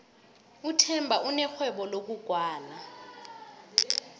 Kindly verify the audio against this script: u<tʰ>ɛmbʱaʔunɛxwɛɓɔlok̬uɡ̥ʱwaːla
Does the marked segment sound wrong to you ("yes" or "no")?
no